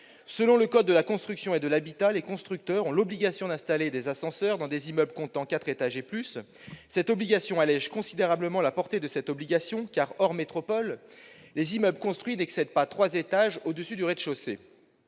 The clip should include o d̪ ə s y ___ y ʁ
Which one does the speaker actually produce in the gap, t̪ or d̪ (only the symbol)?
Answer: d̪